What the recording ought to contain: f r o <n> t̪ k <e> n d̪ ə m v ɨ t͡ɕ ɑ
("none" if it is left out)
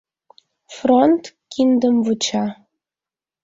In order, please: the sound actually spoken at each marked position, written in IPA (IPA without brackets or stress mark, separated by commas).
n, i